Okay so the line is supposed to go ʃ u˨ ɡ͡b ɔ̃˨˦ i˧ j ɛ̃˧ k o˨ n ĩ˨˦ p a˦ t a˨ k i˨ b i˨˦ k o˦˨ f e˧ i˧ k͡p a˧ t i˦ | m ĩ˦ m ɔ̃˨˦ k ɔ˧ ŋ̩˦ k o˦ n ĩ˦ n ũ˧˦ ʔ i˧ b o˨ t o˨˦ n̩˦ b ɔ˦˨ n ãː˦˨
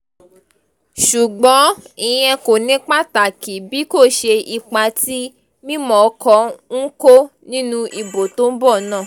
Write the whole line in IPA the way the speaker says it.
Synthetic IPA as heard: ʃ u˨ ɡ͡b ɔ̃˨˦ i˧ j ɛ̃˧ k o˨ n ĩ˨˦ k͡p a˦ t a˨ k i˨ b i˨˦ k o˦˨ ʃ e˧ i˧ k͡p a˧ t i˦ | m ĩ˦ m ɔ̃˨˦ k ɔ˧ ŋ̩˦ k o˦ n ĩ˦ n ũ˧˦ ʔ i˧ b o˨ t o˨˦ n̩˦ b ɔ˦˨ n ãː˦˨